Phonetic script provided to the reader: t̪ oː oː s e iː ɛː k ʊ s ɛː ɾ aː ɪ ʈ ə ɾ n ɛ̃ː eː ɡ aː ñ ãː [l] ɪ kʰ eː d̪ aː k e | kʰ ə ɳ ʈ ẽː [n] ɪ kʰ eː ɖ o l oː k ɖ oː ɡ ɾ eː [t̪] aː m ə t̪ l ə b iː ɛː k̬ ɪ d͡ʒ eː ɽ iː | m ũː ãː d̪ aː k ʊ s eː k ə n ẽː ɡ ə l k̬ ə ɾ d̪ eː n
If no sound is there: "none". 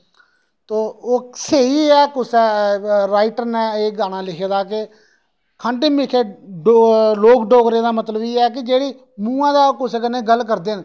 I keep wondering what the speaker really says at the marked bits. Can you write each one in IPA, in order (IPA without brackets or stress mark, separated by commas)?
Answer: l, m, d̪